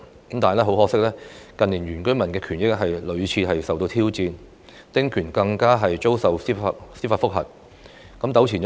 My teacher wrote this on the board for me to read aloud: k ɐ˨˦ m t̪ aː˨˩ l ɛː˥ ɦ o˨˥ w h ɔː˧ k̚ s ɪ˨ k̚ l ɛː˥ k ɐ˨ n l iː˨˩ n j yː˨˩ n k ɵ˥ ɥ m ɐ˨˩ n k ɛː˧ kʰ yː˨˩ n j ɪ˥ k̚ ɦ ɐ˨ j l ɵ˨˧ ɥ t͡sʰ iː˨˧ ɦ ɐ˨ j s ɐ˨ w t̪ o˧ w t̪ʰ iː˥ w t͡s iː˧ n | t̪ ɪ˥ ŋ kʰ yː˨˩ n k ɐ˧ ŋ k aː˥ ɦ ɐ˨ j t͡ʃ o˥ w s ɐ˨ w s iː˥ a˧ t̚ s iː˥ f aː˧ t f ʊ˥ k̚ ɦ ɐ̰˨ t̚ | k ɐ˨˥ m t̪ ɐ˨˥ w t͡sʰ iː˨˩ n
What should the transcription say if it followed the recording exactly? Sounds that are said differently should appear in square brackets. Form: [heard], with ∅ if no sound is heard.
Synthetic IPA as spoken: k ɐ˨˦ m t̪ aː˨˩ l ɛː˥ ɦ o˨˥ w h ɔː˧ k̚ s [ɪ˥] k̚ l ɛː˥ k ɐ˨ n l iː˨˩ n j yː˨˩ n k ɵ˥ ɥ m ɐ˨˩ n k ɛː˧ kʰ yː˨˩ n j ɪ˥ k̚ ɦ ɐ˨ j l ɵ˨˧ ɥ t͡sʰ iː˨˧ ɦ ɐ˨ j s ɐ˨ w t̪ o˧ w t̪ʰ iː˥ w t͡s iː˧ n | t̪ ɪ˥ ŋ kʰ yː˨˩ n k ɐ˧ ŋ k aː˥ ɦ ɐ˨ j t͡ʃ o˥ w s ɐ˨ w s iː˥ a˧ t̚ s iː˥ f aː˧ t f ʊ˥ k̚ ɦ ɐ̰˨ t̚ | k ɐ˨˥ m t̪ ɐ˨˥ w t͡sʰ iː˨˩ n